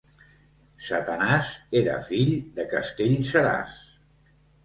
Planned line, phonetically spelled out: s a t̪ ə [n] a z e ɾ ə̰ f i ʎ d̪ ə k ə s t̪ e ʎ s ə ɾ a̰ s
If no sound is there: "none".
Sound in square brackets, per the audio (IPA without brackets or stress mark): n